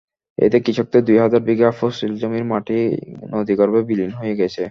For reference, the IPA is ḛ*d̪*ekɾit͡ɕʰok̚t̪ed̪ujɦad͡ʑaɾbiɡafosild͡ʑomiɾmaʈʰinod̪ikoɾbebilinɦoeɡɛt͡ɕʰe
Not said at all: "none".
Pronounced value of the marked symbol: t̪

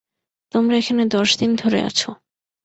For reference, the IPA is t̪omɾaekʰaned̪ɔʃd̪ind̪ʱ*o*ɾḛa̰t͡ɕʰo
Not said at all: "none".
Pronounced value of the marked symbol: o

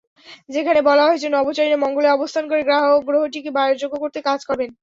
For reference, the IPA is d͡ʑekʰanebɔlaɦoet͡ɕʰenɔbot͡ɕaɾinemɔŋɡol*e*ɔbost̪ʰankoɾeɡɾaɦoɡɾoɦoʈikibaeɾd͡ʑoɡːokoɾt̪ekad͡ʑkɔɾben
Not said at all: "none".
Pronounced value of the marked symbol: e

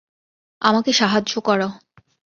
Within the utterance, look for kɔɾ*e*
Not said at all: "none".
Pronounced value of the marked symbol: a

